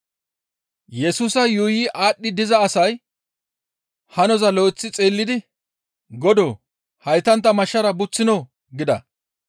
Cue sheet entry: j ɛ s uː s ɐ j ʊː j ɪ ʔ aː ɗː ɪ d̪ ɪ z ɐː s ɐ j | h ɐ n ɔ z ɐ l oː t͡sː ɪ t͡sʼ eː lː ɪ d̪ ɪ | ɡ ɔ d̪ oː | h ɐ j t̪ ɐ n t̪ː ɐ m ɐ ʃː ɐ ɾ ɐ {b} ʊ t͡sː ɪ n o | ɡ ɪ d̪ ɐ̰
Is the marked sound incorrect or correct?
correct